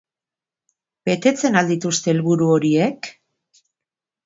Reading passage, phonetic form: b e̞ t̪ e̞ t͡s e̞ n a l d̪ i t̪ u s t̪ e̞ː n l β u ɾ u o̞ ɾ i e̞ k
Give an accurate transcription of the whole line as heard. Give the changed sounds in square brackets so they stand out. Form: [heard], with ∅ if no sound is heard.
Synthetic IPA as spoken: b e̞ t̪ e̞ t͡s e̞ n a l d̪ i t̪ u s t̪ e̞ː [∅] l β u ɾ u o̞ ɾ i e̞ k